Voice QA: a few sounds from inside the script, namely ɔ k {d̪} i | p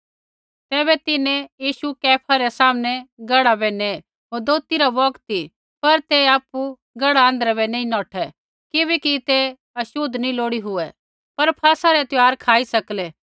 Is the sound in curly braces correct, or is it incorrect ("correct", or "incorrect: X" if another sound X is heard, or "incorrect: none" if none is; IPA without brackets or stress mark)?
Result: incorrect: t̪